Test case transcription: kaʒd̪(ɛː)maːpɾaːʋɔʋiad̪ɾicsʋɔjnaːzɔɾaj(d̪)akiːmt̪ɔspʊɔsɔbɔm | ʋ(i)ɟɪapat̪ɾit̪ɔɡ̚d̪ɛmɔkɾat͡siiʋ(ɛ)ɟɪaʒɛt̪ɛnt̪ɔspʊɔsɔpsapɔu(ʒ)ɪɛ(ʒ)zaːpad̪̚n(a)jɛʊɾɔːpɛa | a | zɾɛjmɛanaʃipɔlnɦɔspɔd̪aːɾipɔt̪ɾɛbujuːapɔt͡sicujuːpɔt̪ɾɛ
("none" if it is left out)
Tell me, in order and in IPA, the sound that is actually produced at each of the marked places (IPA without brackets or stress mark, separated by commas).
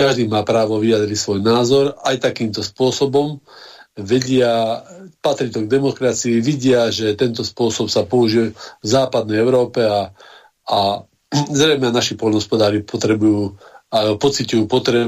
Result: iː, t̪, ɛ, i, ʒ, v, ɛ